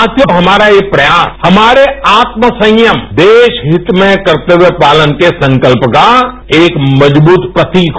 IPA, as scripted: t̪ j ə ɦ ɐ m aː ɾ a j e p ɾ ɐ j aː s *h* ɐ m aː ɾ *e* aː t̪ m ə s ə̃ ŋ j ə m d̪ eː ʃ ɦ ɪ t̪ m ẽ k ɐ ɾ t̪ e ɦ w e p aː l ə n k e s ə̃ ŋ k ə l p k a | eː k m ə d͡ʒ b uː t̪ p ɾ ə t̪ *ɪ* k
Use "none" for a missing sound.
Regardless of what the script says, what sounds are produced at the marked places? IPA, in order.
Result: h, e, i

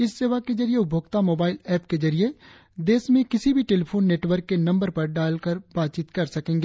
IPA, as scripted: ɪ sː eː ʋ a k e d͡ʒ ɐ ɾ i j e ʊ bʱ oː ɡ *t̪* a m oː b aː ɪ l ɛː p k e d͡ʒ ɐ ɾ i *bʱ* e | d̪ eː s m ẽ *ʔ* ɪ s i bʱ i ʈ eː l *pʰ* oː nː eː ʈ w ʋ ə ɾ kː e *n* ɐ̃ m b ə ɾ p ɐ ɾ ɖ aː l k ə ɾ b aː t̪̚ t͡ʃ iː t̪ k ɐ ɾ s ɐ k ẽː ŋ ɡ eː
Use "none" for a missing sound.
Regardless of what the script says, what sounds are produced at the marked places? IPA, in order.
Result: t̪, none, k, pʰ, n

